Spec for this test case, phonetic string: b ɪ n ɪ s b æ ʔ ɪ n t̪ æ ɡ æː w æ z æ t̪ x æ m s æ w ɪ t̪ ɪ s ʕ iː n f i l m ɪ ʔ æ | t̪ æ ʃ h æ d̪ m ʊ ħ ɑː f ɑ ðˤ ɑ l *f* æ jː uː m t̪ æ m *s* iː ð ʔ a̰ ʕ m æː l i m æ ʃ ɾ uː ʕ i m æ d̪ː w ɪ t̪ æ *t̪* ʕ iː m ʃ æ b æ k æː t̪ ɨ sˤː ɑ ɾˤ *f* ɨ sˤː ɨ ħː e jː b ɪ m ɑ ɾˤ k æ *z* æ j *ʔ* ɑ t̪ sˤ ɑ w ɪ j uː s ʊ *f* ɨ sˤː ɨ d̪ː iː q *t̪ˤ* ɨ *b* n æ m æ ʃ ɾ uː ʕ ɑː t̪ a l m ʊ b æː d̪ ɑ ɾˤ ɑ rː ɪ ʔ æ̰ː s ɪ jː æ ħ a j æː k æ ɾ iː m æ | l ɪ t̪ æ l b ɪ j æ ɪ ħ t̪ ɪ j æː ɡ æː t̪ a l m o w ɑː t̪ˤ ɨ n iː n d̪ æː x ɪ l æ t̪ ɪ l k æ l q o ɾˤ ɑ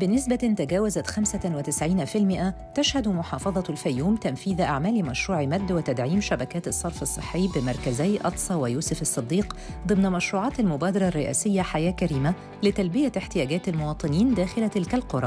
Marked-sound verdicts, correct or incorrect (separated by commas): correct, incorrect, incorrect, correct, correct, correct, correct, incorrect, incorrect